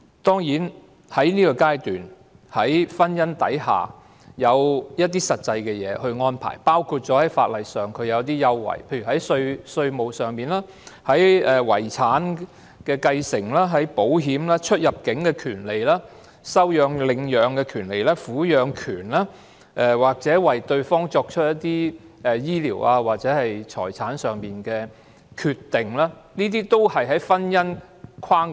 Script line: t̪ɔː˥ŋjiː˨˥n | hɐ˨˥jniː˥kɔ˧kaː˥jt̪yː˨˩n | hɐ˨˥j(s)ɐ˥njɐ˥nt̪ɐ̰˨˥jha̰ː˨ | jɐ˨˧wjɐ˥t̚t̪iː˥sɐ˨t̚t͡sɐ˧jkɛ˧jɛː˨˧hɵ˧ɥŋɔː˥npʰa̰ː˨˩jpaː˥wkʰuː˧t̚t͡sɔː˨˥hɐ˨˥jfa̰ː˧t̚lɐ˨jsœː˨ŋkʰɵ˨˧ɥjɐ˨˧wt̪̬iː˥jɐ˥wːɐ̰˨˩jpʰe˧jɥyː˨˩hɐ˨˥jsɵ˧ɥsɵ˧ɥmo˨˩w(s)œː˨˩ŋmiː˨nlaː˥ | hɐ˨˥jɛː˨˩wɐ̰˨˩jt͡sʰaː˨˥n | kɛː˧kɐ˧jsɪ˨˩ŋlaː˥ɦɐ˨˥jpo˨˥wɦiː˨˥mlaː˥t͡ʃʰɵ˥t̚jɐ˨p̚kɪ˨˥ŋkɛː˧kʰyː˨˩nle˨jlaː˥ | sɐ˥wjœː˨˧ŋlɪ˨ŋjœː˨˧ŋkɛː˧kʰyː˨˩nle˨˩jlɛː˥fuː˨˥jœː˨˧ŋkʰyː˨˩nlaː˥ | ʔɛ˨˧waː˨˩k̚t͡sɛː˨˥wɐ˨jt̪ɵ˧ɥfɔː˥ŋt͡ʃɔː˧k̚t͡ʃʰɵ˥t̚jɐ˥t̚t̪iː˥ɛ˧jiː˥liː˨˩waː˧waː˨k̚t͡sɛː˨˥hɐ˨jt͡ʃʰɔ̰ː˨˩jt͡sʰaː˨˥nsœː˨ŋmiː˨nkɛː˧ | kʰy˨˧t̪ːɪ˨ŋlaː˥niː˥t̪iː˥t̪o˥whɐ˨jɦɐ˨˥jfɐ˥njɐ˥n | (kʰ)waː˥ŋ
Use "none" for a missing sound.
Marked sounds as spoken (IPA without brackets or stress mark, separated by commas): f, s, kʰ